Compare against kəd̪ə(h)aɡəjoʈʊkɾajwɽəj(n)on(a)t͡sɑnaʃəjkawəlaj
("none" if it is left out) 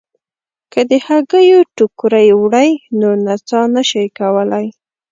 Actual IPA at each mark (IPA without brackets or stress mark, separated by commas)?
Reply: h, n, a